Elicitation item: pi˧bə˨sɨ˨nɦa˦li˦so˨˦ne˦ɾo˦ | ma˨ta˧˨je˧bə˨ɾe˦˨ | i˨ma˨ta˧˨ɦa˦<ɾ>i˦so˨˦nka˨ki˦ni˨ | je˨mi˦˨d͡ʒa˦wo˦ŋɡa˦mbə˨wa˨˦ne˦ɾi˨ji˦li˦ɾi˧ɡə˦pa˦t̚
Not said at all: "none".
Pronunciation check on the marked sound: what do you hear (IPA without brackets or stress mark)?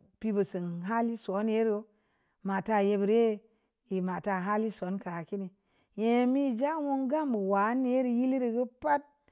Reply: l